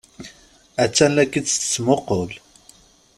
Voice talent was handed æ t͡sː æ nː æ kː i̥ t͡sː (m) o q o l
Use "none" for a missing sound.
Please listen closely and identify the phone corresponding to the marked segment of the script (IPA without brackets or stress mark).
m